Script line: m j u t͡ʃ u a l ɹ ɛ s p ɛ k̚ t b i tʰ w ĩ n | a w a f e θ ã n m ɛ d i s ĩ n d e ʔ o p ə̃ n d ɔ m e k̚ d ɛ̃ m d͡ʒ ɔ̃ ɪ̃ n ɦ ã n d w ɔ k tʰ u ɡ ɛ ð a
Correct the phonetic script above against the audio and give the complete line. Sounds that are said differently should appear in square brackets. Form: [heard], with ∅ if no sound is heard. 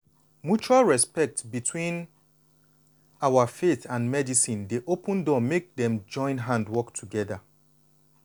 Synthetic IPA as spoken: m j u t͡ʃ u a l ɹ ɛ s p ɛ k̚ t b i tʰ w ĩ n | a w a f e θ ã n m ɛ d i s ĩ n d e ʔ o p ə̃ n d ɔ m e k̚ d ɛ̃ m d͡ʒ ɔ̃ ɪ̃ n ɦ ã n d w ɔ k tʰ u ɡ ɛ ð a